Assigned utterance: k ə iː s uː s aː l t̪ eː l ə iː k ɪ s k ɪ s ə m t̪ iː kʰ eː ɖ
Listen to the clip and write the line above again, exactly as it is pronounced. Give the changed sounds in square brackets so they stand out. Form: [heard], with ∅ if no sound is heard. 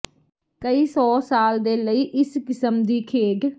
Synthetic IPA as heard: k ə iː s [ɔː] s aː l [d̪] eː l ə iː [ʔ] ɪ s k ɪ s ə m [d̪] iː kʰ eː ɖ